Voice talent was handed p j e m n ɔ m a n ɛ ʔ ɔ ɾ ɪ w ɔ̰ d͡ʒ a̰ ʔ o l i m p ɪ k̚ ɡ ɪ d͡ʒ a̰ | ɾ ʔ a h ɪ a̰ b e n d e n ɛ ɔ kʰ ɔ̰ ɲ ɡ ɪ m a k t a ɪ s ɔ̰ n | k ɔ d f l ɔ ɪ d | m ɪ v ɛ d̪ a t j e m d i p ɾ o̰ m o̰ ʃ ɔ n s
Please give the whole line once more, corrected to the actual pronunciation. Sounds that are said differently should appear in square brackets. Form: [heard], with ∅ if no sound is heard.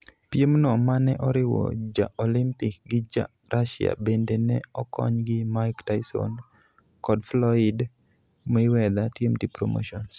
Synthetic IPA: p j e m n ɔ m a n ɛ ʔ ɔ ɾ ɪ w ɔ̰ d͡ʒ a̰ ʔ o l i m p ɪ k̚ ɡ ɪ d͡ʒ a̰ | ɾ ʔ a [ʃ] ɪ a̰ b e n d e n ɛ ɔ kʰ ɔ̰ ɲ ɡ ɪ m a k t a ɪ s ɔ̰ n | k ɔ d f l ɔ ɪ d | m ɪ [w] ɛ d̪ a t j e m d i p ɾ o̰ m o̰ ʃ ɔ n s